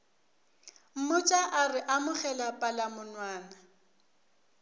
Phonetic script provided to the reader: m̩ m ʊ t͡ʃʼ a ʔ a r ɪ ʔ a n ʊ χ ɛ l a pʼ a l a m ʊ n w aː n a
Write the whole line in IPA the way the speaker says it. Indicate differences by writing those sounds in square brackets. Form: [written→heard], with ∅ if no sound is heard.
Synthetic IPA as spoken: m̩ m ʊ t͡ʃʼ a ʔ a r ɪ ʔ a [n→m] ʊ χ ɛ l a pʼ a l a m ʊ n w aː n a